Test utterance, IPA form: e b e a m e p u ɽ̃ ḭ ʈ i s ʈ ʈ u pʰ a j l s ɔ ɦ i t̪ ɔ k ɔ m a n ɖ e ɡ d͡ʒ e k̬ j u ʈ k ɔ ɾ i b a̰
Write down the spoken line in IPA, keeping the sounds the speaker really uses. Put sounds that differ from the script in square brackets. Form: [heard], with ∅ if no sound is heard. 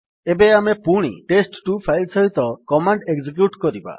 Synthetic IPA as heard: e b e a m e p u ɽ̃ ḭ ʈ [e] s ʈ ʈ u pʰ a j l s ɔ ɦ i t̪ ɔ k ɔ m a [ɳ] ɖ e ɡ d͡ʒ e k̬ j u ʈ k ɔ ɾ i b a̰